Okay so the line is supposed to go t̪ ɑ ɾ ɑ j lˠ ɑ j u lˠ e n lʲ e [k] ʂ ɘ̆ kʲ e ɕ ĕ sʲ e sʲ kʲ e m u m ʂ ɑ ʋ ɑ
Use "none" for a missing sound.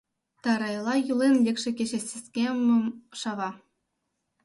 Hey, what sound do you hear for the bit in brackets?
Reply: k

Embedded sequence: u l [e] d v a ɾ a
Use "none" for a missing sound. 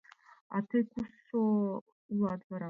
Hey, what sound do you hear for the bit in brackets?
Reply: a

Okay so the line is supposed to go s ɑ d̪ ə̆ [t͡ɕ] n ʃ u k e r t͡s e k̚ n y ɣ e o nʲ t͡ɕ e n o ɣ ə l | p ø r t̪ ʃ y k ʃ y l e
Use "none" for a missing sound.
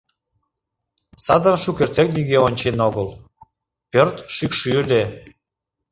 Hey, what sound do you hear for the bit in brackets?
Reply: none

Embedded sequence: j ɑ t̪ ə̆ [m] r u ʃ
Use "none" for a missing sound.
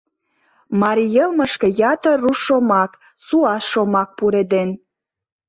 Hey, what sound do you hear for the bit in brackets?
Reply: none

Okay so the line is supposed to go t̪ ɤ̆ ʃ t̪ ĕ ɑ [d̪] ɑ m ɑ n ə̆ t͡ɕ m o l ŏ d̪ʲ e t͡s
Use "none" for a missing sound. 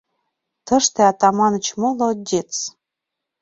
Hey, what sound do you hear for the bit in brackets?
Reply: t̪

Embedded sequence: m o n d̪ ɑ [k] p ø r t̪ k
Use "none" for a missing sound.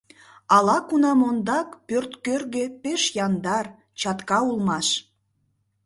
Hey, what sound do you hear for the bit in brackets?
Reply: k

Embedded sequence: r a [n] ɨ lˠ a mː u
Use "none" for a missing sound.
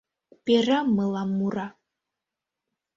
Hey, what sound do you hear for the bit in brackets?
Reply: m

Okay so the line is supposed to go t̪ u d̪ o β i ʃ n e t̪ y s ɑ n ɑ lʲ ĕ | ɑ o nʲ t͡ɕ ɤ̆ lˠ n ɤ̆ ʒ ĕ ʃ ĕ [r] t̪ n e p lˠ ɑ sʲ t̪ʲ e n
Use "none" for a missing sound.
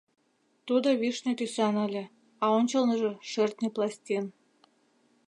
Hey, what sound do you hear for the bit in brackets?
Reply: r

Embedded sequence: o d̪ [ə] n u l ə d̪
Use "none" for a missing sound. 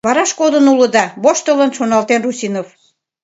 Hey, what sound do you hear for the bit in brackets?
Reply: ə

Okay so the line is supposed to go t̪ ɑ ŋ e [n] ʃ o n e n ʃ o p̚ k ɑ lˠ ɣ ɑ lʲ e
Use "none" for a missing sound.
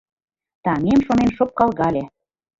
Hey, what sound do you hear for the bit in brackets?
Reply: m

